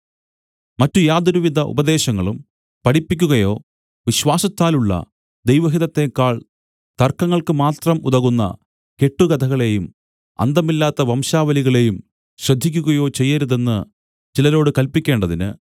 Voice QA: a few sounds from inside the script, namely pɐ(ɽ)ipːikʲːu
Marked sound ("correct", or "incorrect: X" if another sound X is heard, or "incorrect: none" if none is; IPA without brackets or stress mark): correct